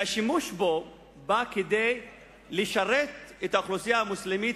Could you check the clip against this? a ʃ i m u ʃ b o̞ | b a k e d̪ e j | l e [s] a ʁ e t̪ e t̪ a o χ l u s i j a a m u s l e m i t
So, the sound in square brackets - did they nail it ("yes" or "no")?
no